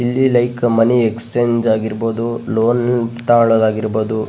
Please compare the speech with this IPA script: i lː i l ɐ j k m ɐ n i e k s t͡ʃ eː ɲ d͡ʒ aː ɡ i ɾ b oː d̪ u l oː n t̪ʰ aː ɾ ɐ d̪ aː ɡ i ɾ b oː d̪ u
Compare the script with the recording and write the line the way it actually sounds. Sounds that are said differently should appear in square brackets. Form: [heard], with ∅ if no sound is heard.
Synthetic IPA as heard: i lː i l ɐ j k m ɐ n i e k s t͡ʃ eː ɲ d͡ʒ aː ɡ i ɾ b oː d̪ u l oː n [t̪] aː [ɭ] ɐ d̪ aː ɡ i ɾ b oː d̪ u